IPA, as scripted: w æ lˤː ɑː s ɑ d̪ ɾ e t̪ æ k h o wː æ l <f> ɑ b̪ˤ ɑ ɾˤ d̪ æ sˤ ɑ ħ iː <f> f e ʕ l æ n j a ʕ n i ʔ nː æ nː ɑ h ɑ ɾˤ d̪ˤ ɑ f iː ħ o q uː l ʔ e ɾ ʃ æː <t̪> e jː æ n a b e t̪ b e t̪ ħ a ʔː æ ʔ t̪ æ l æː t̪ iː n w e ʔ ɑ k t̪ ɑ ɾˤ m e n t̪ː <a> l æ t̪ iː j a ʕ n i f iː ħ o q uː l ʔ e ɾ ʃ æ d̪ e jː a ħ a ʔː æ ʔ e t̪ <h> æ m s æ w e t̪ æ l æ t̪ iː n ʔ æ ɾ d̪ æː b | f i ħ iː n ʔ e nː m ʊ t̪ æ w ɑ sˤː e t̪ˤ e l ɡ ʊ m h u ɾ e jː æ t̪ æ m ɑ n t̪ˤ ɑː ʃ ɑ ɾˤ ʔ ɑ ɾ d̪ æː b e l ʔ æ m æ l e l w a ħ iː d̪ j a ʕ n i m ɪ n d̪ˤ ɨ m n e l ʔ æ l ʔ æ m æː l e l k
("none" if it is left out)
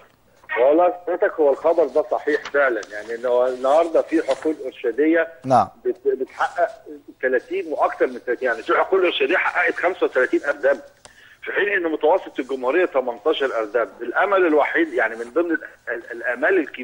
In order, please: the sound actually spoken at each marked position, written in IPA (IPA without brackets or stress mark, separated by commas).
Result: x, ħ, d̪, æ, x